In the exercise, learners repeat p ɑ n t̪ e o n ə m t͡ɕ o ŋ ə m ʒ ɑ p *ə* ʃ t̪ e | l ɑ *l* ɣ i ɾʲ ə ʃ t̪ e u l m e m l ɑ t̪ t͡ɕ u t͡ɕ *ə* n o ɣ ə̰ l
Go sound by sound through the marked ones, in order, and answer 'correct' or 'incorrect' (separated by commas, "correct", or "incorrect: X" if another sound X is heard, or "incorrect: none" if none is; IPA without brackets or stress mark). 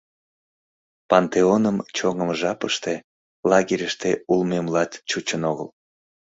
correct, incorrect: none, correct